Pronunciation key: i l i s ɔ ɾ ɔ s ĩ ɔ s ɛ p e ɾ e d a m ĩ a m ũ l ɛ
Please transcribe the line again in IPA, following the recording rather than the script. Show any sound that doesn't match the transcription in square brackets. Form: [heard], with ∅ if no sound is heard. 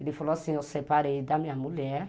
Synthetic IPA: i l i [f] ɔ [l] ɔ s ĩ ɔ s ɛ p [a] ɾ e d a m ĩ a m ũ l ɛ